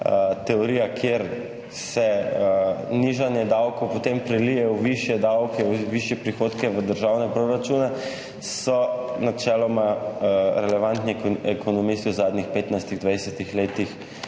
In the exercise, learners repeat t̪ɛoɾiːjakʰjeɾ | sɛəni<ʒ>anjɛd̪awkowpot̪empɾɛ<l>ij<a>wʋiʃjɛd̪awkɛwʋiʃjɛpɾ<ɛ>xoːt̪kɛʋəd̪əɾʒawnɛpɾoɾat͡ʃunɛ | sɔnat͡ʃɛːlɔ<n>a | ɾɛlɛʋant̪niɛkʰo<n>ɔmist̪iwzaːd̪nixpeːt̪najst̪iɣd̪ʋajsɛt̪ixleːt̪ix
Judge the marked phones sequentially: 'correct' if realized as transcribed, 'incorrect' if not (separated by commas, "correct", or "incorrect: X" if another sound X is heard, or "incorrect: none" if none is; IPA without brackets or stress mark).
correct, correct, incorrect: ɛ, incorrect: i, incorrect: m, correct